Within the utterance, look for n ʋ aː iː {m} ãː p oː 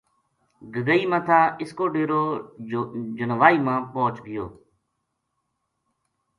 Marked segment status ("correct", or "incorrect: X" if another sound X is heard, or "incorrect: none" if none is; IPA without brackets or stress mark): correct